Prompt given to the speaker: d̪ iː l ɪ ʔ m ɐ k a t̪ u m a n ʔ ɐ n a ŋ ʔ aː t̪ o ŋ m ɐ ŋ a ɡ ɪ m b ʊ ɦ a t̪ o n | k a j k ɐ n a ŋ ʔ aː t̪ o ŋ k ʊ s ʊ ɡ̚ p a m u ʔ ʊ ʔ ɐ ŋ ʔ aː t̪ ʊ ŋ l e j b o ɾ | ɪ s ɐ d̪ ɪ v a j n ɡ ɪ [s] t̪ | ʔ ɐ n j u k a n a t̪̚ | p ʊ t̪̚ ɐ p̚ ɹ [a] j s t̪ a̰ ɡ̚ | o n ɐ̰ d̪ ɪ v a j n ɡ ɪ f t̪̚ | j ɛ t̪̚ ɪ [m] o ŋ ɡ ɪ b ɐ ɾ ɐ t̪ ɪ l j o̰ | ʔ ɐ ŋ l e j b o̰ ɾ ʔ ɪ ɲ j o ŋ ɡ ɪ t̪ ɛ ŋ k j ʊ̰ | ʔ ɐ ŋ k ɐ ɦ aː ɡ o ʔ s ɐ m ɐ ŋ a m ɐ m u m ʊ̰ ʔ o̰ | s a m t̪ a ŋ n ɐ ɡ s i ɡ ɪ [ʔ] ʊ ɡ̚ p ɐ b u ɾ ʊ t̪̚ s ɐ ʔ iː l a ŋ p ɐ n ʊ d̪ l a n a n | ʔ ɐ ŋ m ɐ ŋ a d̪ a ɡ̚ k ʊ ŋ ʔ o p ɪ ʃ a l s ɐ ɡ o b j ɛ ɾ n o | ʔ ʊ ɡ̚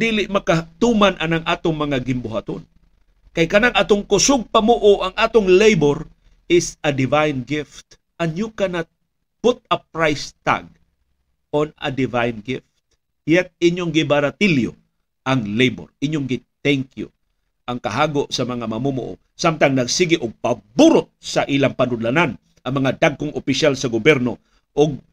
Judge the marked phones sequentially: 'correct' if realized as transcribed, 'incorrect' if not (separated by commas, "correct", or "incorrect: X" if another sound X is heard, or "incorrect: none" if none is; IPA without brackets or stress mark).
incorrect: f, correct, incorrect: ɲ, correct